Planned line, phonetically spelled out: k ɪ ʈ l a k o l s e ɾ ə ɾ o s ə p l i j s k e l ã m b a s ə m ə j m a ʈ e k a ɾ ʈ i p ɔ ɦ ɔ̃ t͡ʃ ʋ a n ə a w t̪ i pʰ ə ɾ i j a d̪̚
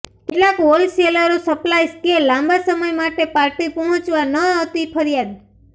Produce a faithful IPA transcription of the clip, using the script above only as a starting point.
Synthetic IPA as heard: k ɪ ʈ l a k o l s e l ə ɾ o s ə p l a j s k e l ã m b a s ə m ə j m a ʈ e p a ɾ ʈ i p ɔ ɦ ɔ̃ t͡ʃ ʋ a n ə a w t̪ i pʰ ə ɾ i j a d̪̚